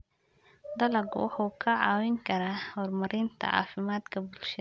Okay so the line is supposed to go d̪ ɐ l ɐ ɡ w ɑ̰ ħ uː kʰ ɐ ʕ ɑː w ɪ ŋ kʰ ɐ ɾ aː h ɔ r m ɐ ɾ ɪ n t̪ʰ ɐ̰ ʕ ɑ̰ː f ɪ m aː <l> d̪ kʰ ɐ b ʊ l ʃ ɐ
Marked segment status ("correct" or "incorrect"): incorrect